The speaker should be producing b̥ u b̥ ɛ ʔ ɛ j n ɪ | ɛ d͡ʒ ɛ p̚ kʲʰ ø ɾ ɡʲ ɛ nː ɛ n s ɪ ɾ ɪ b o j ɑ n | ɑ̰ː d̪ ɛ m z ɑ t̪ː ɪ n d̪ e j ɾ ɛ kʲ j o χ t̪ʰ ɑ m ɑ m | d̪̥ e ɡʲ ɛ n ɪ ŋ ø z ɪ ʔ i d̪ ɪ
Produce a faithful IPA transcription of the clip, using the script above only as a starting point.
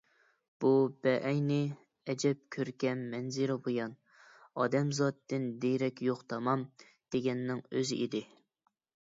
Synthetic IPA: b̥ u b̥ ɛ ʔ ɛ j n ɪ | ɛ d͡ʒ ɛ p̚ kʲʰ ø ɾ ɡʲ ɛ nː ɛ n z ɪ ɾ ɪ b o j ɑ n | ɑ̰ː d̪ ɛ m z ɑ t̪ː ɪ n d̪ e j ɾ ɛ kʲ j o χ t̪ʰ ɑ m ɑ m | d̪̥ e ɡʲ ɛ nː ɪ ŋ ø z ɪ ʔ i d̪ ɪ